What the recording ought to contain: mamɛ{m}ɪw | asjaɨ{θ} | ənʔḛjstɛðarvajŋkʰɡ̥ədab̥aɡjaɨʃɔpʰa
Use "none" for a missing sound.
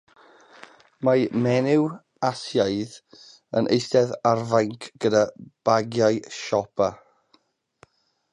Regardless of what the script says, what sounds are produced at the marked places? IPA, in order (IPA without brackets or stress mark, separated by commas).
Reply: n, ð